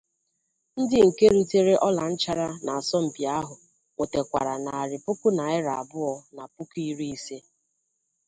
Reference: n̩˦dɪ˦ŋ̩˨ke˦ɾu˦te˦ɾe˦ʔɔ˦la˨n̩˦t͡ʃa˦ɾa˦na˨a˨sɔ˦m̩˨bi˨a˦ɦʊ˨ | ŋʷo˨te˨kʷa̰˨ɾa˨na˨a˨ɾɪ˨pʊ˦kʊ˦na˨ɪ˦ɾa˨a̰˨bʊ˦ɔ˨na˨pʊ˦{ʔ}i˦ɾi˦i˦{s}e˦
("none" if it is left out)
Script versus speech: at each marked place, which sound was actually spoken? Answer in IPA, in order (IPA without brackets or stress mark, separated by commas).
k, s